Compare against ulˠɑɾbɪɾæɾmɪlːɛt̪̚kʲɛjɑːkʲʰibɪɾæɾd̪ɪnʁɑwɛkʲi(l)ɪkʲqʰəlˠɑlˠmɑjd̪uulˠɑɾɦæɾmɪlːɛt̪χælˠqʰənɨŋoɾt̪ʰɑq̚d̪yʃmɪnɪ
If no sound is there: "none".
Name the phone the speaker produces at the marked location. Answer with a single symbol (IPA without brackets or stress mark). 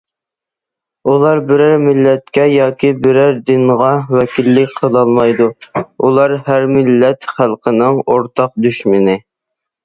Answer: lː